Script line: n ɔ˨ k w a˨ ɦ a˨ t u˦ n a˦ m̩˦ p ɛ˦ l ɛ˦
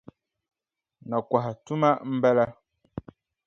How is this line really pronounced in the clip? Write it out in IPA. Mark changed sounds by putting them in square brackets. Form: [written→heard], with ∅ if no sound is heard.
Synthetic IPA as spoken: n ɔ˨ k w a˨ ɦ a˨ t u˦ [n→m] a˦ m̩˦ [p→b] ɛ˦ l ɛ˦